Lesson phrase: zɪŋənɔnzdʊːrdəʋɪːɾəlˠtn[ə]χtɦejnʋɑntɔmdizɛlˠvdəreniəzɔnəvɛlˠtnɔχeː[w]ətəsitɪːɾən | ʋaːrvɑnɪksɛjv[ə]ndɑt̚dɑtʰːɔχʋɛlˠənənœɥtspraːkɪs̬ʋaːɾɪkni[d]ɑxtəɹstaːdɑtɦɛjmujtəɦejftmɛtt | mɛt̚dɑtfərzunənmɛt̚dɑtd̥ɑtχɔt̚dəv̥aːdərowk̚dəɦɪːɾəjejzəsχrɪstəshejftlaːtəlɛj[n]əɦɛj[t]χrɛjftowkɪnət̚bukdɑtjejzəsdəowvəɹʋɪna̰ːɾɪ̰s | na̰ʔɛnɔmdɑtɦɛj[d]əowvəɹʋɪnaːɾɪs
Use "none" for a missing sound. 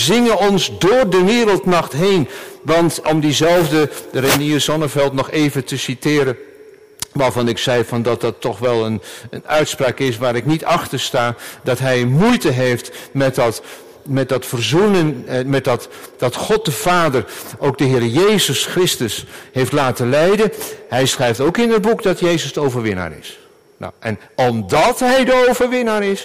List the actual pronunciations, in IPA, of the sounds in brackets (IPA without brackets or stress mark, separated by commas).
ɑ, v, ɑ, t, d, s, d